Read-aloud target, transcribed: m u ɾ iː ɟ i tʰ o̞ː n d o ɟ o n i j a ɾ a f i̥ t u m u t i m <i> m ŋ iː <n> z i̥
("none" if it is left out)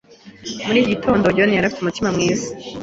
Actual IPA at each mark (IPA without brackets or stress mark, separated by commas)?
a, none